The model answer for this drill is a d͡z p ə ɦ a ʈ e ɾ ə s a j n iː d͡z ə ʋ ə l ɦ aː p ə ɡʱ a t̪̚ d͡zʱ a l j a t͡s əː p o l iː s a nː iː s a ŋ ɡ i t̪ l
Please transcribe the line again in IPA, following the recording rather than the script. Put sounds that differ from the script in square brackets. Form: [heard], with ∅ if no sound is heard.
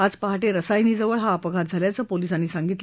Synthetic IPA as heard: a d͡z p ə ɦ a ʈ e ɾ ə s a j n iː d͡z ə ʋ ə [ɭ] ɦ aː p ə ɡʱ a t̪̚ d͡zʱ a l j a t͡s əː p o l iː s a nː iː s a ŋ ɡ i t̪ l

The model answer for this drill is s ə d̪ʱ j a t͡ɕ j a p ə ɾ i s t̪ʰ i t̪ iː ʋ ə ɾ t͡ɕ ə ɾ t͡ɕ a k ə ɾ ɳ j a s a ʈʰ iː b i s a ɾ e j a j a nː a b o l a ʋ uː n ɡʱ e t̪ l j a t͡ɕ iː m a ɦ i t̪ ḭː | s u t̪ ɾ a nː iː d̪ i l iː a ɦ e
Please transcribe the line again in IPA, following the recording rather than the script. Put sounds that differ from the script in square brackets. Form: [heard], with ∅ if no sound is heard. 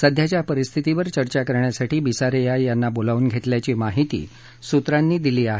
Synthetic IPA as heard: s ə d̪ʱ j a t͡ɕ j a p ə ɾ i s t̪ʰ i t̪ [i] ʋ ə ɾ t͡ɕ ə ɾ t͡ɕ a k ə ɾ ɳ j a s a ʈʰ iː b i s a ɾ e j a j a nː a b o l a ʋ uː n ɡʱ e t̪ l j a t͡ɕ iː m a ɦ i t̪ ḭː | s u t̪ ɾ a nː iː d̪ i l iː a ɦ e

